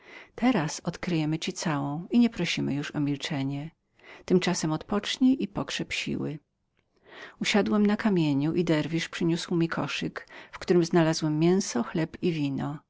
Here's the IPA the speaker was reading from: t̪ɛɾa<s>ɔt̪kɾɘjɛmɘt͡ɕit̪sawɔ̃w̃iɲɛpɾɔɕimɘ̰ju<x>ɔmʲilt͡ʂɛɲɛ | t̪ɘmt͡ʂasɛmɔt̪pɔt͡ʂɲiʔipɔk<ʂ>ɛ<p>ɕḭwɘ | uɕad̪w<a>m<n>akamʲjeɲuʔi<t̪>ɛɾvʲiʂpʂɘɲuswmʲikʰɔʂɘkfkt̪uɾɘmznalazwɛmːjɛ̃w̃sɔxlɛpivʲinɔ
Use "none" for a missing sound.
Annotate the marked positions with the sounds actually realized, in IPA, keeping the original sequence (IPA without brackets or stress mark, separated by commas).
s, ʂ, ʂ, p, ɛ, n, d̪